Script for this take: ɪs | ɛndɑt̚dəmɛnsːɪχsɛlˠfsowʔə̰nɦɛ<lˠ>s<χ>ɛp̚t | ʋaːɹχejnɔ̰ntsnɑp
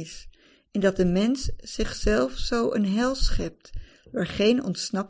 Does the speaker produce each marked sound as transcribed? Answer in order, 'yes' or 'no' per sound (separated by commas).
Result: yes, yes